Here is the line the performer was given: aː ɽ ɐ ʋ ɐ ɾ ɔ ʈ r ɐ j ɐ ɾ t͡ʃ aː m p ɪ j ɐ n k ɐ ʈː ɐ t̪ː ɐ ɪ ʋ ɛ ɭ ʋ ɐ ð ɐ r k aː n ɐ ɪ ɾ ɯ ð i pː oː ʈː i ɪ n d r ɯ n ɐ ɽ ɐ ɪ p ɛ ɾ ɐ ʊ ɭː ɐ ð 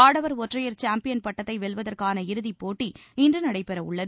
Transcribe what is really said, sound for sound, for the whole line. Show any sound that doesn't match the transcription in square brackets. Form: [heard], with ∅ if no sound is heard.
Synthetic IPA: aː ɽ ɐ ʋ ɐ ɾ ɔ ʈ r ɐ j ɐ ɾ t͡ʃ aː m p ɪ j ɐ n [p] ɐ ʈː ɐ t̪ː ɐ ɪ ʋ ɛ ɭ ʋ ɐ ð ɐ r k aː n ɐ ɪ ɾ ɯ ð i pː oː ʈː i ɪ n d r ɯ n ɐ ɽ ɐ ɪ p ɛ ɾ ɐ ʊ ɭː ɐ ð